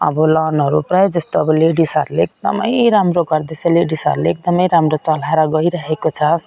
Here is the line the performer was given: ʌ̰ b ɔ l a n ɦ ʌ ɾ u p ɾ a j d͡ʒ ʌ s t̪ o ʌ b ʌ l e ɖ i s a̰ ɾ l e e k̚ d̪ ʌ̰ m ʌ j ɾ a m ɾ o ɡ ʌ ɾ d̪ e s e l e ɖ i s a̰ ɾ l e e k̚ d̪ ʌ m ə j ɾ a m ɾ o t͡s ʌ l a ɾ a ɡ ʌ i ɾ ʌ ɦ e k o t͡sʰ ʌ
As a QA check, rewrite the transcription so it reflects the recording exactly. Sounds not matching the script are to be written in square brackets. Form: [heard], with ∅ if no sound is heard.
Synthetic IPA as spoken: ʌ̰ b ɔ l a n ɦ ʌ ɾ u p ɾ a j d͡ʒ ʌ s t̪ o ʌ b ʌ l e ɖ i s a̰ ɾ l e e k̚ d̪ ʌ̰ m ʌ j ɾ a m ɾ o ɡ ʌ ɾ d̪ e s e l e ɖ i s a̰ ɾ l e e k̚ d̪ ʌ m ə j ɾ a m ɾ o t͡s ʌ l a ɾ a ɡ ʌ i ɾ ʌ ɦ e k o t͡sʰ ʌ